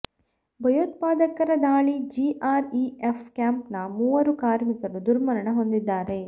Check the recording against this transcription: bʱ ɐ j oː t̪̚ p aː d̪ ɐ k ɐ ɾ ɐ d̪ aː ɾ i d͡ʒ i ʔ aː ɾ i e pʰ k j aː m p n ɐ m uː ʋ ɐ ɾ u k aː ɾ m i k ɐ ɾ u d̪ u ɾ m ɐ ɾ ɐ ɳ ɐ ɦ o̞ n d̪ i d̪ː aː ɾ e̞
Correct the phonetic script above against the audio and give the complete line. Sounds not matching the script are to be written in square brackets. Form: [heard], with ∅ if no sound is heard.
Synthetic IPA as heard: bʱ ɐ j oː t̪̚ p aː d̪ ɐ k ɐ ɾ ɐ d̪ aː [ɭ] i d͡ʒ i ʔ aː ɾ i e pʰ k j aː m p n ɐ m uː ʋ ɐ ɾ u k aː ɾ m i k ɐ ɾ u d̪ u ɾ m ɐ ɾ ɐ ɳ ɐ ɦ o̞ n d̪ i d̪ː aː ɾ e̞